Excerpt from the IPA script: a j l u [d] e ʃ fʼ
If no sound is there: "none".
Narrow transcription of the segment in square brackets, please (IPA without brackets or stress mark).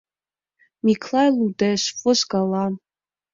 d